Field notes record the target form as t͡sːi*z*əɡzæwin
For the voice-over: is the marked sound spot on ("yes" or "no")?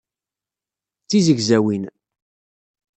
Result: yes